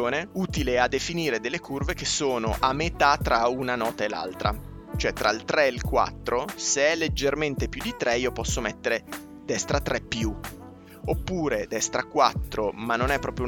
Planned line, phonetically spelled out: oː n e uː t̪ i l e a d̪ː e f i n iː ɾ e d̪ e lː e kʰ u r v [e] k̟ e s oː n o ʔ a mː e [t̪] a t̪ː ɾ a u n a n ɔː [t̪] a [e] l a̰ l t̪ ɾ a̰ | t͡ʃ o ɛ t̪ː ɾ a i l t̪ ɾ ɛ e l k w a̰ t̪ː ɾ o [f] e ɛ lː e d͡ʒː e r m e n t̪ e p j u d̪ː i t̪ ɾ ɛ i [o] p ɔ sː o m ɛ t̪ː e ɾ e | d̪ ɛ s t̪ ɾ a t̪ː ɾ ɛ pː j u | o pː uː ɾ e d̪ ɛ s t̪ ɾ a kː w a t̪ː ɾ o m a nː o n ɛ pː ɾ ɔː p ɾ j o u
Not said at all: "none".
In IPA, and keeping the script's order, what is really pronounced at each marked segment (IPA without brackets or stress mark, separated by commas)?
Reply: e, t̪, t̪, e, s, o